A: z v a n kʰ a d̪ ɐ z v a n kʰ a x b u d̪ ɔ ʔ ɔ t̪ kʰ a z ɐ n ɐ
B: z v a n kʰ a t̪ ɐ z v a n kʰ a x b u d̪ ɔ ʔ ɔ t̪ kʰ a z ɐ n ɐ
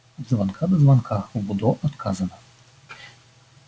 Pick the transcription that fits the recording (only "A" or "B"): A